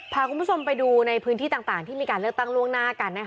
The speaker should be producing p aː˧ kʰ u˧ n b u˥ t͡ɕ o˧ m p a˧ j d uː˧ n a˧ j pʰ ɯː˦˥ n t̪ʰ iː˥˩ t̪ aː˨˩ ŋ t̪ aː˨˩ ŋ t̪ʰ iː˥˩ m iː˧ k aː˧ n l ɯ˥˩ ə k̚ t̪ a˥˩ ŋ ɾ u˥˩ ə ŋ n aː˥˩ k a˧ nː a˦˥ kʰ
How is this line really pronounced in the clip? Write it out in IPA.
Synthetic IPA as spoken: pʰ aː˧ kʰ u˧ n b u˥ t͡ɕʰ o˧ m p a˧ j d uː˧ n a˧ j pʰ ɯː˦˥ n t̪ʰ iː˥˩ t̪ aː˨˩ ŋ t̪ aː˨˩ ŋ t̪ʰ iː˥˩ m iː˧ k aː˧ n l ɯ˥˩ ə k̚ t̪ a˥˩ ŋ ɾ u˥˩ ə ŋ n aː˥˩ k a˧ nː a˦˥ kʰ